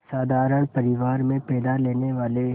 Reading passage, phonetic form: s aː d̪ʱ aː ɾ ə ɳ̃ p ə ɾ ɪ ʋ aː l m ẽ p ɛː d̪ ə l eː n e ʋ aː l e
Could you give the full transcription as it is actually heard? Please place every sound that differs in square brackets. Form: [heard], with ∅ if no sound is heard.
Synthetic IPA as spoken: s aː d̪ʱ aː ɾ ə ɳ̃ p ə ɾ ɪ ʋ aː [ɾ] m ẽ p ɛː d̪ [a] l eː n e ʋ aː l e